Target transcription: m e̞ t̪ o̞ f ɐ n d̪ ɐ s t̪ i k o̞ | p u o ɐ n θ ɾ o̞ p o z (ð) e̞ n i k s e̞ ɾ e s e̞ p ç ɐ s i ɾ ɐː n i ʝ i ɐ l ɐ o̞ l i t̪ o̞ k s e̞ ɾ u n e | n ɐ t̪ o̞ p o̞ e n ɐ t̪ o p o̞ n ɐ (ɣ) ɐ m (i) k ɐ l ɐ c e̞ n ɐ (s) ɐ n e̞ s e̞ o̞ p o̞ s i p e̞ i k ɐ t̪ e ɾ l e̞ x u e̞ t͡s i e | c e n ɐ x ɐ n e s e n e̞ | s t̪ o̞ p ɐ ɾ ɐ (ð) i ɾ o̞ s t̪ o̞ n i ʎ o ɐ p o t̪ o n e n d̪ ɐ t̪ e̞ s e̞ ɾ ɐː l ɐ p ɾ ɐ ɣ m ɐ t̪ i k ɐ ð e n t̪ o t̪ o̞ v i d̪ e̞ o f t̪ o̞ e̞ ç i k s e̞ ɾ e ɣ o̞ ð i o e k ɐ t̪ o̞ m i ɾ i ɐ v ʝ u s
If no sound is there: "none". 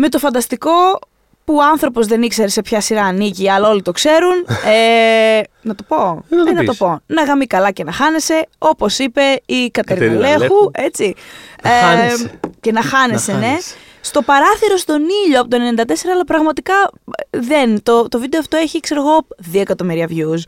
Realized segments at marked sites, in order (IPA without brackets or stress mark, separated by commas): ð, ɣ, i, x, θ